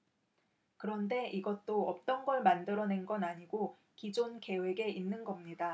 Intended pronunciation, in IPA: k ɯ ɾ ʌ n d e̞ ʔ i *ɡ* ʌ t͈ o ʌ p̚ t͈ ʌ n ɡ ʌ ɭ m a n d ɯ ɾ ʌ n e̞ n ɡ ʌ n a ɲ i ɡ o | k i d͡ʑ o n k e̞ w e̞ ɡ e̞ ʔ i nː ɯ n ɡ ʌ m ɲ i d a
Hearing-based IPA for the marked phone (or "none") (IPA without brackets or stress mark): ɡ